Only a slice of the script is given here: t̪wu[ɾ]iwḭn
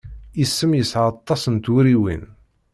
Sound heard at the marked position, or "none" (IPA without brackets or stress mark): ɾ